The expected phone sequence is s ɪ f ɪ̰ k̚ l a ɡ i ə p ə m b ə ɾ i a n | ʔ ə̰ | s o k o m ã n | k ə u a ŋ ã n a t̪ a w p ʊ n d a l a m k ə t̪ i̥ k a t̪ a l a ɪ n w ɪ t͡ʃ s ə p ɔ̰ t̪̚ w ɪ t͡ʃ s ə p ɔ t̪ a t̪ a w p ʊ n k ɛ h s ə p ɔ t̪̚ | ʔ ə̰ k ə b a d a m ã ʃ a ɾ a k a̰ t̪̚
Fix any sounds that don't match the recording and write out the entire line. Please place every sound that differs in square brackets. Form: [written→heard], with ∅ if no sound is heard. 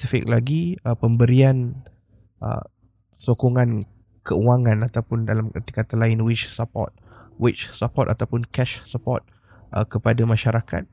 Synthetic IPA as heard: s [ɪ→i] f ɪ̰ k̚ l a ɡ i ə p ə m b ə ɾ i a n | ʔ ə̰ | s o k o [m→ŋ] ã n | k ə u a ŋ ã n a t̪ a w p ʊ n d a l a m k ə t̪ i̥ k a t̪ a l a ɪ n w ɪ t͡ʃ s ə p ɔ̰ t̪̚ w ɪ t͡ʃ s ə p ɔ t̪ a t̪ a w p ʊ n k ɛ [h→ʃ] s ə p ɔ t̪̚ | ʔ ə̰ k ə [b→p] a d a m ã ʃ a ɾ a k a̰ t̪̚